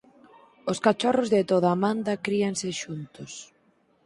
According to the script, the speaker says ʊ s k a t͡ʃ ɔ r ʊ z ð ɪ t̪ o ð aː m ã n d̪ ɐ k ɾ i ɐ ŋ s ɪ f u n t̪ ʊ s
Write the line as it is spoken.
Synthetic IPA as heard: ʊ s k a t͡ʃ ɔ r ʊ z ð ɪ t̪ o ð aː m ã n d̪ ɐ k ɾ i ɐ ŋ s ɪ ʃ u n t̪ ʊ s